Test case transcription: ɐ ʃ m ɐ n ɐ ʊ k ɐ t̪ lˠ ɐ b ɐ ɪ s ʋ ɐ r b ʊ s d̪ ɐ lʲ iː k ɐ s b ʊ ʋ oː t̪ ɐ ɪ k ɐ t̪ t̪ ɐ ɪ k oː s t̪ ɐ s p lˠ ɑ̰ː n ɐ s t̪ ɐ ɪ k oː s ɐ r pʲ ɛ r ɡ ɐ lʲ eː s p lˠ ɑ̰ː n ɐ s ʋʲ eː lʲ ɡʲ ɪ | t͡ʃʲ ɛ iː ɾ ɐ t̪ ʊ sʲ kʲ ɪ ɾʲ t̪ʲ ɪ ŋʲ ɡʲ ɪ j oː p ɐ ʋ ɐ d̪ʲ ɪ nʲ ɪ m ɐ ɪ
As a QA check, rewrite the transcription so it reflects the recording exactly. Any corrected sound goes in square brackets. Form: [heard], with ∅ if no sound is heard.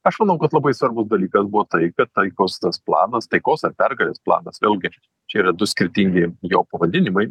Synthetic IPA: ɐ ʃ m ɐ n ɐ ʊ k ɐ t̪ lˠ ɐ b ɐ ɪ s ʋ ɐ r b ʊ s d̪ ɐ lʲ iː k ɐ s b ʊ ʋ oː t̪ ɐ ɪ k ɐ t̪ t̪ ɐ ɪ k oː s t̪ ɐ s p lˠ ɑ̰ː n ɐ s t̪ ɐ ɪ k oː s ɐ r pʲ ɛ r ɡ ɐ lʲ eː s p lˠ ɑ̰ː n ɐ s ʋʲ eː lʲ ɡʲ ɪ | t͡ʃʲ ɛ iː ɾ ɐ [d̪] ʊ sʲ kʲ ɪ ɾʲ t̪ʲ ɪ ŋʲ ɡʲ ɪ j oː p ɐ ʋ ɐ d̪ʲ ɪ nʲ ɪ m ɐ ɪ